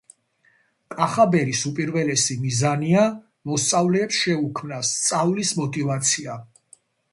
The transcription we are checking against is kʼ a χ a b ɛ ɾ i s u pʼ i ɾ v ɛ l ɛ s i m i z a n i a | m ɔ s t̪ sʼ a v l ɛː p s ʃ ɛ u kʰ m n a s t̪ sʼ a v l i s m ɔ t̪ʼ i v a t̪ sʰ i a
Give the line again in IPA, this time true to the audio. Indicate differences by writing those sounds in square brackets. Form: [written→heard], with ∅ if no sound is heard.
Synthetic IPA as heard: kʼ a χ a b ɛ ɾ i s u pʼ i ɾ v ɛ l ɛ s i m i z a n i a | m ɔ s t̪ sʼ a v l ɛː p s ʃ ɛ u kʰ m n a s t̪ sʼ a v l i s m ɔ t̪ʼ i v a t̪ sʰ i a

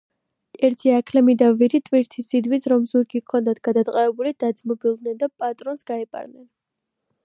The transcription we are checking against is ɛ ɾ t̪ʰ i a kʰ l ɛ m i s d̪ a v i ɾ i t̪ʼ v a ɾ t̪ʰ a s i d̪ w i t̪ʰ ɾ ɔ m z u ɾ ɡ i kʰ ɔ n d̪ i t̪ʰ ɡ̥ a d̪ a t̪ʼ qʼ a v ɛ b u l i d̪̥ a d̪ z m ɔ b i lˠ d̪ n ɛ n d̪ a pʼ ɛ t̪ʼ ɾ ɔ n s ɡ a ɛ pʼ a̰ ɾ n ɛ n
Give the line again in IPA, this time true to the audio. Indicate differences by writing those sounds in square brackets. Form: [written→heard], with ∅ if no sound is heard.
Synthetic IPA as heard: ɛ ɾ t̪ʰ i a kʰ l ɛ m i [s→∅] d̪ a v i ɾ i t̪ʼ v [a→i] ɾ t̪ʰ [a→i] s i d̪ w i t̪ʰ ɾ ɔ m z u ɾ ɡ i kʰ ɔ n d̪ [i→a] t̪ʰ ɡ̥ a d̪ a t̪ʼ qʼ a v ɛ b u l i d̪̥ a d̪ z m ɔ b i lˠ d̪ n ɛ n d̪ a pʼ [ɛ→a] t̪ʼ ɾ ɔ n s ɡ a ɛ pʼ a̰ ɾ n ɛ n

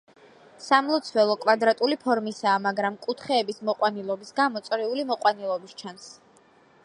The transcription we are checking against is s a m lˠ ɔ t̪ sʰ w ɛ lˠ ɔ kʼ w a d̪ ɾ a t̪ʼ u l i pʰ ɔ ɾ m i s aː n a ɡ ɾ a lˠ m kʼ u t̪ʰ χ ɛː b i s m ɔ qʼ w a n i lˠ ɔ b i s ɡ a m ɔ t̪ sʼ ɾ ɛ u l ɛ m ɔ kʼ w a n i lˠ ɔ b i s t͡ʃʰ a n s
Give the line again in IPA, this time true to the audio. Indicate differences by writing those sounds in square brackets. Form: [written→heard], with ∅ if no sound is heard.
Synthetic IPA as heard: s a m lˠ ɔ t̪ sʰ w ɛ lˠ ɔ kʼ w a d̪ ɾ a t̪ʼ u l i pʰ ɔ ɾ m i s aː [n→m] a ɡ ɾ a [lˠ→∅] m kʼ u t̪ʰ χ ɛː b i s m ɔ qʼ w a n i lˠ ɔ b i s ɡ a m ɔ t̪ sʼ ɾ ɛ u l [ɛ→i] m ɔ [kʼ→qʼ] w a n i lˠ ɔ b i s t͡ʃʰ a n s

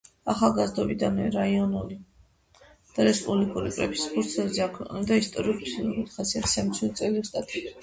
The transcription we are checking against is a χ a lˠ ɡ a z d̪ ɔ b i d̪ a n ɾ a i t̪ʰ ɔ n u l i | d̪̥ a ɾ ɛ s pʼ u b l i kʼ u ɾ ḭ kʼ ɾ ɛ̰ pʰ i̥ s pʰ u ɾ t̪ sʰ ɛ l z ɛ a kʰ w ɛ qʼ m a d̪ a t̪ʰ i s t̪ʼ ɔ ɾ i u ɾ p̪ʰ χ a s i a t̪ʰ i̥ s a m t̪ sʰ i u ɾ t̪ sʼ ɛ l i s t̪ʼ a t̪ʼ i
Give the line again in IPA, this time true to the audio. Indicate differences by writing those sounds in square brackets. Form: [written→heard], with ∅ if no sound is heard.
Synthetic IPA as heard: a χ a lˠ ɡ a z d̪ ɔ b i d̪ a n ɾ a i [t̪ʰ→∅] ɔ n u l i | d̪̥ a ɾ ɛ s pʼ u b l i kʼ u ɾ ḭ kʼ ɾ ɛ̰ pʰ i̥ s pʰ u ɾ t̪ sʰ ɛ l z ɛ a kʰ w ɛ qʼ [m→n] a d̪ a [t̪ʰ→∅] i s t̪ʼ ɔ ɾ i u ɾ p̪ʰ χ a s i a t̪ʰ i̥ s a m t̪ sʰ i u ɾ t̪ sʼ ɛ l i s t̪ʼ a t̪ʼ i

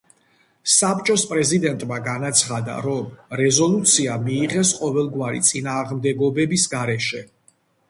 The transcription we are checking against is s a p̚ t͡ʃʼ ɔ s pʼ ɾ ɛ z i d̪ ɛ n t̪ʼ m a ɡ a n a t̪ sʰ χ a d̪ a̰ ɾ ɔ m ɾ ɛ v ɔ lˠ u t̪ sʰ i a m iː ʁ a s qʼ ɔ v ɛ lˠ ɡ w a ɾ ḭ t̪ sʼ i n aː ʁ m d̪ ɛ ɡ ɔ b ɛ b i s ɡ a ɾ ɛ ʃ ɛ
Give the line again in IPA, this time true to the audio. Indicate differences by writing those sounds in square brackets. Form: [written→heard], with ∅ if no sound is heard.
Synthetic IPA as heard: s a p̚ t͡ʃʼ ɔ s pʼ ɾ ɛ z i d̪ ɛ n t̪ʼ m a ɡ a n a t̪ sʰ χ a d̪ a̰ ɾ ɔ m ɾ ɛ [v→z] ɔ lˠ u t̪ sʰ i a m iː ʁ [a→ɛ] s qʼ ɔ v ɛ lˠ ɡ w a ɾ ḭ t̪ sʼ i n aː ʁ m d̪ ɛ ɡ ɔ b ɛ b i s ɡ a ɾ ɛ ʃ ɛ

